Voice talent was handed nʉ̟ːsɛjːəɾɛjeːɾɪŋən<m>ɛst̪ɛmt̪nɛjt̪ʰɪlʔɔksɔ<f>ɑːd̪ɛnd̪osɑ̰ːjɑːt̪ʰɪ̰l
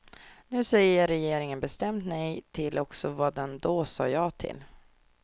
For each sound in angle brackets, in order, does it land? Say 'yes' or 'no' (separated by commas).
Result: no, no